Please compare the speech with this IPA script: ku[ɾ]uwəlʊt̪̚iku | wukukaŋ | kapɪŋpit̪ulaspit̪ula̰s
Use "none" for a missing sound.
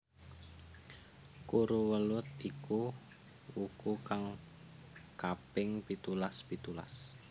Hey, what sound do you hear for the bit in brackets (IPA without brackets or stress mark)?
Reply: ɾ